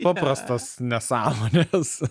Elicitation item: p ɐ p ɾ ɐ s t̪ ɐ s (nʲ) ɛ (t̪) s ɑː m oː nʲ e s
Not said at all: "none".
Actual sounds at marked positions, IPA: nʲ, none

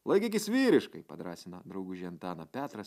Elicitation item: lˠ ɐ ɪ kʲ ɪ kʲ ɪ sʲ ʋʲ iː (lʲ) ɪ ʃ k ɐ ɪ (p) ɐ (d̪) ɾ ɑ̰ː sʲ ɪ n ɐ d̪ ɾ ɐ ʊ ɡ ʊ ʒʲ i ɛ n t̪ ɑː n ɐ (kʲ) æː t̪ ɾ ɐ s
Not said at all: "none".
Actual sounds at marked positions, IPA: ɾʲ, p, d̪, pʲ

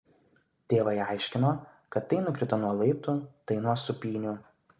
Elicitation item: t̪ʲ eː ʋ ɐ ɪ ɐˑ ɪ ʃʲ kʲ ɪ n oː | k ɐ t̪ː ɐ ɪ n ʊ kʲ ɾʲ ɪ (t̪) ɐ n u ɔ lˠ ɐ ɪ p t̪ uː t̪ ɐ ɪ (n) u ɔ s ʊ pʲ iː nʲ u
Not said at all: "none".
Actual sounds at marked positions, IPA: t̪, n

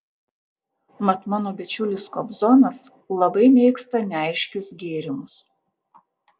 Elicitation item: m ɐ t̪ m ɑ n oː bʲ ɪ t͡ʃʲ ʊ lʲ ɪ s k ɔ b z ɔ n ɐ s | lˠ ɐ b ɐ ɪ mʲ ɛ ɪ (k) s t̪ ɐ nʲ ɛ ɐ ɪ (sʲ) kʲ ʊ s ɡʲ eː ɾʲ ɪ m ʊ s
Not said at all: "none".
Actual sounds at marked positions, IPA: k, ʃʲ

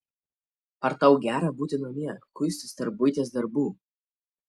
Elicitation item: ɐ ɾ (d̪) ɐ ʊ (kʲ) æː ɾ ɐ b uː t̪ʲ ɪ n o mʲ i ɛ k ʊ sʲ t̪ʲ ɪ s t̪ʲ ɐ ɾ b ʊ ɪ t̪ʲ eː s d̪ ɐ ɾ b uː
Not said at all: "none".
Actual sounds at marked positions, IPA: t̪, ɡʲ

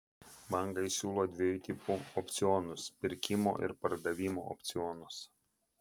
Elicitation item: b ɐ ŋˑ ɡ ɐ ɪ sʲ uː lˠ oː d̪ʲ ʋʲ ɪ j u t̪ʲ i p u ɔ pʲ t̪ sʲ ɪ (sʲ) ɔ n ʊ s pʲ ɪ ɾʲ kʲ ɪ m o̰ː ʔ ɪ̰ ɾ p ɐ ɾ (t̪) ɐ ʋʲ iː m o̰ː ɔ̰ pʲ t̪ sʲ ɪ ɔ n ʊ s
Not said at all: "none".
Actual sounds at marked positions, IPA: none, d̪

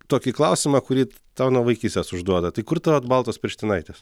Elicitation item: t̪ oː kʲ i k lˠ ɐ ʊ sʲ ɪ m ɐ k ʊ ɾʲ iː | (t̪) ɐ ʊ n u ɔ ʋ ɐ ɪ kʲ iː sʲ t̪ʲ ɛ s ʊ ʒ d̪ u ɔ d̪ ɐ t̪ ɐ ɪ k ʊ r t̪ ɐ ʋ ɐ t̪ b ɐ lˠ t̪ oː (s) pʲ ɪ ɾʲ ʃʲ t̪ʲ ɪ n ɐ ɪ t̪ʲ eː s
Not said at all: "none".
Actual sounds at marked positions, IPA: t̪, s

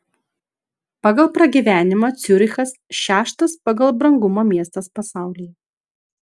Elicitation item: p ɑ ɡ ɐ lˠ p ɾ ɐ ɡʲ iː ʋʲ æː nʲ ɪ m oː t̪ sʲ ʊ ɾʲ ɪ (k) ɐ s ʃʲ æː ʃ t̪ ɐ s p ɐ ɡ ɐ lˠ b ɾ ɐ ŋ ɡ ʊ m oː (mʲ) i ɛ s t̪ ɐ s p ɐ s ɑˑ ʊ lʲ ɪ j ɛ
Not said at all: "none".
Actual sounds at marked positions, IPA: x, mʲ

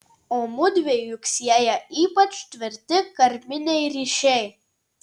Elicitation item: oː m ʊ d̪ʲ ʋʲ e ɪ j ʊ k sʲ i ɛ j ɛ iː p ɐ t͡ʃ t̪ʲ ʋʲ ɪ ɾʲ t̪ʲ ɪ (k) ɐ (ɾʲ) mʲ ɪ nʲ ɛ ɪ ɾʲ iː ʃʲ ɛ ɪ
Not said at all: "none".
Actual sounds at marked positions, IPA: k, ɾʲ

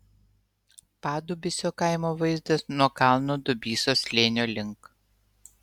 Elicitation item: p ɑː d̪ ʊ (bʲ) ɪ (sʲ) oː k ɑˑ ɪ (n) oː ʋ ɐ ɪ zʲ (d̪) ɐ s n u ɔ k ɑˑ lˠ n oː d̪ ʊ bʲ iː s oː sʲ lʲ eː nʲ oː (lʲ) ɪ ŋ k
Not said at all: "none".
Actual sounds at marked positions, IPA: bʲ, sʲ, m, d̪, lʲ

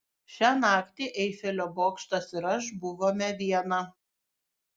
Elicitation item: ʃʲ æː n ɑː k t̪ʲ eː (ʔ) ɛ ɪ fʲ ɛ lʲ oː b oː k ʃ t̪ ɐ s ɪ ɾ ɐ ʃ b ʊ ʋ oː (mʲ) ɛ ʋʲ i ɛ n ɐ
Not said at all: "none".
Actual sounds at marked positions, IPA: ʔ, mʲ

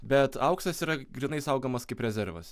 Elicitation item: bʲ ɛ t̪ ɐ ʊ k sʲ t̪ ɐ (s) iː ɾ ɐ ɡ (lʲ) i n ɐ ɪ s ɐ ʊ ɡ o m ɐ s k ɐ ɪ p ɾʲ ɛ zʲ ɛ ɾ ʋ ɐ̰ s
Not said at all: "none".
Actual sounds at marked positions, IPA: s, ɾʲ

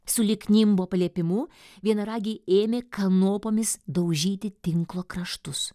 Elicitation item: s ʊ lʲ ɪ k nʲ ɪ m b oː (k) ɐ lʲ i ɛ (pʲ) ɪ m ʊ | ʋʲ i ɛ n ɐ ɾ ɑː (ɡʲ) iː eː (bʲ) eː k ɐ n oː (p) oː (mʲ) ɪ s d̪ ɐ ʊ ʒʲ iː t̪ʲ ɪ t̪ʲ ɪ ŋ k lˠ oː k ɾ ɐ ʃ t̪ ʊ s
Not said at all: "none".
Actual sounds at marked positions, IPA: p, pʲ, ɡʲ, mʲ, p, mʲ

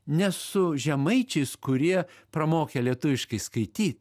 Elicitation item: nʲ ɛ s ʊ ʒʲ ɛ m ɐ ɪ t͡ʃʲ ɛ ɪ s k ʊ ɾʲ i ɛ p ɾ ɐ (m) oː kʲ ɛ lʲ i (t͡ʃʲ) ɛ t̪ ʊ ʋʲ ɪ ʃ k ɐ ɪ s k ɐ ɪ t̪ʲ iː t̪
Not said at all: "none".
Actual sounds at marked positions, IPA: m, none

